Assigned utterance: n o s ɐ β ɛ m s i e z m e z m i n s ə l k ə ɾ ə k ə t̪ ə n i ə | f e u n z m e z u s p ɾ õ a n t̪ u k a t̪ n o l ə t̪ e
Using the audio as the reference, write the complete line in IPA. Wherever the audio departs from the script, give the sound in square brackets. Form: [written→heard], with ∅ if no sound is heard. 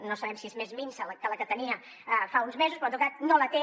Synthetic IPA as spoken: n o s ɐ β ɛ m s i e z m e z m i n s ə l k ə [ɾ→l] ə k ə t̪ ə n i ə | f [e→a] u n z m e z u s p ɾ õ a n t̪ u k a t̪ n o l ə t̪ e